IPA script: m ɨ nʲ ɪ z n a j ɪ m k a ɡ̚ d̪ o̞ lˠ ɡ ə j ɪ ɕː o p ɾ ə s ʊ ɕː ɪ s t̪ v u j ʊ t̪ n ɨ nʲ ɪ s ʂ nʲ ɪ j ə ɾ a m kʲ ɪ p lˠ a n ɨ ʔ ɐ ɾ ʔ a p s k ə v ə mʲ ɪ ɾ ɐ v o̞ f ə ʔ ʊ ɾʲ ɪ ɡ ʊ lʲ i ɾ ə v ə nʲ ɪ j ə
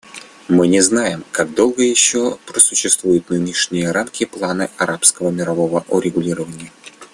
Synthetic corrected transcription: m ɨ nʲ ɪ z n a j ɪ m k a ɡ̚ d̪ o̞ lˠ ɡ ə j ɪ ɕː o p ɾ ə s ʊ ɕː ɪ s t̪ v u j ʊ t̪ n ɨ nʲ ɪ ʂ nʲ ɪ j ə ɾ a m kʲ ɪ p lˠ a n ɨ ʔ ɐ ɾ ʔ a p s k ə v ə mʲ ɪ ɾ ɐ v o̞ v ə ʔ ʊ ɾʲ ɪ ɡ ʊ lʲ i ɾ ə v ə nʲ ɪ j ə